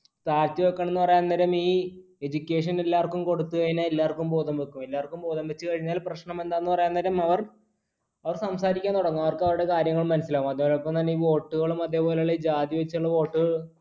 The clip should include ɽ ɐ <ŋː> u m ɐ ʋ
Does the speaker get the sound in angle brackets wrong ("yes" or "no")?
no